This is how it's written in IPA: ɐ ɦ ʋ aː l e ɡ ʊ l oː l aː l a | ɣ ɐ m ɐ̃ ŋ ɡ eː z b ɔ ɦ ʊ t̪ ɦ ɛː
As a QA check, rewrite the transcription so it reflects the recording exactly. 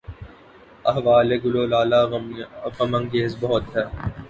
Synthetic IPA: ɐ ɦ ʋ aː l e ɡ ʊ l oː l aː l a | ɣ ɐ m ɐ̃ ŋ ɡ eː z b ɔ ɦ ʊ t̪ ɦ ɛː